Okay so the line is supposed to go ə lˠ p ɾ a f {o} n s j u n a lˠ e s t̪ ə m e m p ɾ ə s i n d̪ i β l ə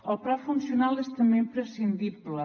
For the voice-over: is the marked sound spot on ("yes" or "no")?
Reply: no